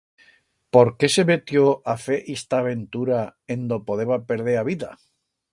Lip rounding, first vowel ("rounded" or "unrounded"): rounded